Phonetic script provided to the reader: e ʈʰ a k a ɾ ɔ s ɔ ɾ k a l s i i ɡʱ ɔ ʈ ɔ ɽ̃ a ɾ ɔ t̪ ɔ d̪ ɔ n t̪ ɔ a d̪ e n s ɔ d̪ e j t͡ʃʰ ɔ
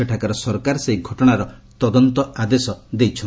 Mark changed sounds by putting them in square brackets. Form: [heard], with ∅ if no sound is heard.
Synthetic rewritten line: e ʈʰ a k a ɾ ɔ s ɔ ɾ k a [ɾ] s [e] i ɡʱ ɔ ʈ ɔ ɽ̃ a ɾ ɔ t̪ ɔ d̪ ɔ n t̪ ɔ a d̪ e [∅] s ɔ d̪ e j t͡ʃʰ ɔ